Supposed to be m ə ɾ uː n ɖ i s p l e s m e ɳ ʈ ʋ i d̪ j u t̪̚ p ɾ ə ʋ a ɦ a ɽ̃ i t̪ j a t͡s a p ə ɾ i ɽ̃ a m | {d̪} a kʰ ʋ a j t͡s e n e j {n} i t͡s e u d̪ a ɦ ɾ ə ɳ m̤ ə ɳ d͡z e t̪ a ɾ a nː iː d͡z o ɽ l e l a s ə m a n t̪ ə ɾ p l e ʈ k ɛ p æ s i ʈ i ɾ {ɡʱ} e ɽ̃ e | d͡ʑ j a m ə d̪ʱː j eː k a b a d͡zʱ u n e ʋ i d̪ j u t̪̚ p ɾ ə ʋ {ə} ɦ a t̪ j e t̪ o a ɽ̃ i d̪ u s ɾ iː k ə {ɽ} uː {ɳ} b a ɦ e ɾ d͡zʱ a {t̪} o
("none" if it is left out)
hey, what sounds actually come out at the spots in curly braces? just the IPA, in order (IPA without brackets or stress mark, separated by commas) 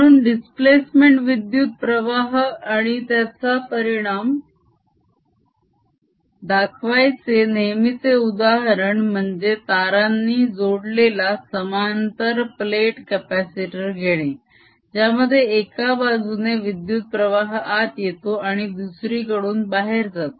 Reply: d̪, m, ɡʱ, a, ɽ, n, t̪